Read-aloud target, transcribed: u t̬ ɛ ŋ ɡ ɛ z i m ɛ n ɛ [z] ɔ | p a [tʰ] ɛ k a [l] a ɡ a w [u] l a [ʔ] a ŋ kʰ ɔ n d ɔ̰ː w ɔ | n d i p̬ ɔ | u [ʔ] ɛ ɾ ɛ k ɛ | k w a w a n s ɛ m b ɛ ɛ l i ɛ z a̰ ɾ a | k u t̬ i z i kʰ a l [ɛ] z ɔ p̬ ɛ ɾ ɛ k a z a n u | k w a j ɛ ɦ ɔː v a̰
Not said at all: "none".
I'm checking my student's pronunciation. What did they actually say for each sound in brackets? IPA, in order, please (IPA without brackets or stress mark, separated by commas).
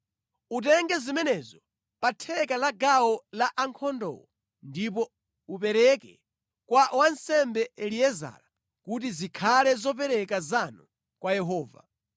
z, tʰ, l, ɔ, ʔ, p, ɛ